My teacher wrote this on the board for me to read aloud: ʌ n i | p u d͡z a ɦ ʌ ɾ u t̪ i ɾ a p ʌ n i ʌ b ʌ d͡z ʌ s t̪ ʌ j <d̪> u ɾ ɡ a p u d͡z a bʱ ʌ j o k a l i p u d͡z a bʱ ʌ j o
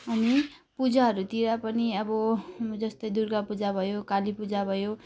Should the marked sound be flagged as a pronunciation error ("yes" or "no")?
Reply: no